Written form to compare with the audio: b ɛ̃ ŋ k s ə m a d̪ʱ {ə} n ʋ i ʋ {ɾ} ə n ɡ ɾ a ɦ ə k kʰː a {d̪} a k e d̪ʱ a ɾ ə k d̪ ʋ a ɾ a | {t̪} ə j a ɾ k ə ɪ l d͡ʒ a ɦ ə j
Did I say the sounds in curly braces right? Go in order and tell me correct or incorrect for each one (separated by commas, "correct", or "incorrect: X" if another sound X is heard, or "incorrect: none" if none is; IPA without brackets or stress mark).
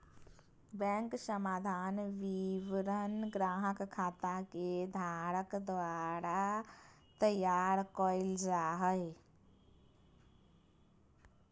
incorrect: a, correct, incorrect: t̪, correct